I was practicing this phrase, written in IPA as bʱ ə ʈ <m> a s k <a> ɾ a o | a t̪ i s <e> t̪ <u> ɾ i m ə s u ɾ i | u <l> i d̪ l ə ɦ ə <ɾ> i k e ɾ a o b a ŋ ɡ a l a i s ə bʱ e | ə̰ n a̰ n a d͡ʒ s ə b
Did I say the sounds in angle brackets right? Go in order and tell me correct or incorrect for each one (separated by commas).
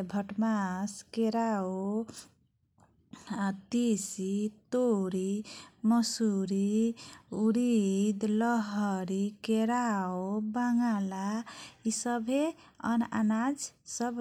correct, incorrect, incorrect, incorrect, incorrect, correct